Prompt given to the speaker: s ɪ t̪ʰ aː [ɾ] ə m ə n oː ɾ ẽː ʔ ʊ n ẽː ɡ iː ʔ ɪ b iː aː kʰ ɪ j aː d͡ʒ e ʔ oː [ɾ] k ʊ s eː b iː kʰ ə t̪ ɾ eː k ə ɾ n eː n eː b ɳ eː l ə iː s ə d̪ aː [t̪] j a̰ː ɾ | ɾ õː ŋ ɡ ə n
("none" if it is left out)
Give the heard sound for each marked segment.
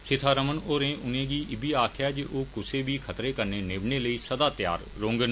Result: ɾ, none, t̪

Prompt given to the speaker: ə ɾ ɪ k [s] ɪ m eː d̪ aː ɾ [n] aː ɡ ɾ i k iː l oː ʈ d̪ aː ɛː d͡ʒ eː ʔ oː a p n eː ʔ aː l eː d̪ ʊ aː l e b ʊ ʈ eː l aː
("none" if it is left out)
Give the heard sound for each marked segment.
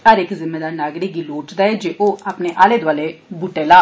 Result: z, n

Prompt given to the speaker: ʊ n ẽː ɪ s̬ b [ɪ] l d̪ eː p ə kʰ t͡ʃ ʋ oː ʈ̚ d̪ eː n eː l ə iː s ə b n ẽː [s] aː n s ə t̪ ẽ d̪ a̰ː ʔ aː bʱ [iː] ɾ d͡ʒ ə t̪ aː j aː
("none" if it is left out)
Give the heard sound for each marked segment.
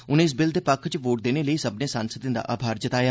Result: ɪ, s, aː

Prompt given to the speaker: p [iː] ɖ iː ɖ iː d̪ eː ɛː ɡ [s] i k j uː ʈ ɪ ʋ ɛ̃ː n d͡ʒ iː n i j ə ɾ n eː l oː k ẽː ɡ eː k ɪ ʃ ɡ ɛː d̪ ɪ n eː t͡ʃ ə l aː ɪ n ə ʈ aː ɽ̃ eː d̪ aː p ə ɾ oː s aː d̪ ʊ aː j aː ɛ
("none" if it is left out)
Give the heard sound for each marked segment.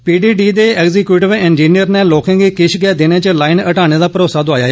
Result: iː, z

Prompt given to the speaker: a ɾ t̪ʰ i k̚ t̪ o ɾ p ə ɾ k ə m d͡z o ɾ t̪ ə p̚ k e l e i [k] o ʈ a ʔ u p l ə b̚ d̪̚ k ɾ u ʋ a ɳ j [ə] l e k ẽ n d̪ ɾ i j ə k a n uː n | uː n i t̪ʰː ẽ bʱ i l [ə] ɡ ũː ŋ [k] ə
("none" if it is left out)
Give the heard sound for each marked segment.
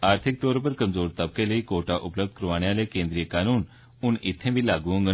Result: k, a, a, ɡ

